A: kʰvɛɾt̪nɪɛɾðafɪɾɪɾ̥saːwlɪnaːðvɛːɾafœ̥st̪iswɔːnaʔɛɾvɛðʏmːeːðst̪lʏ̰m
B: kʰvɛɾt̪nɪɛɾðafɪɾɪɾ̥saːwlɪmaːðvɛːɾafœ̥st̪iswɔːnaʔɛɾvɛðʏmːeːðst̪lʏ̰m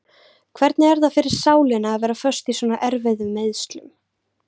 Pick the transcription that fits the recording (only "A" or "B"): A